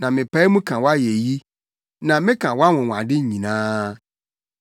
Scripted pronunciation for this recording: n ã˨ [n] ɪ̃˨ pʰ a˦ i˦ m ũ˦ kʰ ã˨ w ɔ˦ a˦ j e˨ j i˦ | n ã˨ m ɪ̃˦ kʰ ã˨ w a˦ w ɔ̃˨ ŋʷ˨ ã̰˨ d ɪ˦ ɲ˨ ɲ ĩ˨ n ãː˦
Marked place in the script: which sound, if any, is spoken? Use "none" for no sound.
m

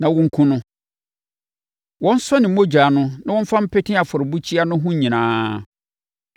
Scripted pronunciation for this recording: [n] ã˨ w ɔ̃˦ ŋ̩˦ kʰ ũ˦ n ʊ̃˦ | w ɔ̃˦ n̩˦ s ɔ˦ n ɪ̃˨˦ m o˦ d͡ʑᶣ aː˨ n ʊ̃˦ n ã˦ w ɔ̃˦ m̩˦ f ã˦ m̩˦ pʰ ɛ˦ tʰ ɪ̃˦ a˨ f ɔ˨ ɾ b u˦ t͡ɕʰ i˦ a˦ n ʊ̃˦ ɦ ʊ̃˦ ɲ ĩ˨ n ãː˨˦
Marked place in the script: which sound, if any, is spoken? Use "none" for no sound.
n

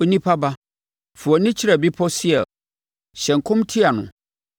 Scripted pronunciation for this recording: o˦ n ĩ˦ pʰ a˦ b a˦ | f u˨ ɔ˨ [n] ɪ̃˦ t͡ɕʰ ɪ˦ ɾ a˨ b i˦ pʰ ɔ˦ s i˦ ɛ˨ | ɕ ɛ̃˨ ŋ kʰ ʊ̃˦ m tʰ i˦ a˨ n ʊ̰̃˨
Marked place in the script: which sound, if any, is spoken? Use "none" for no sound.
n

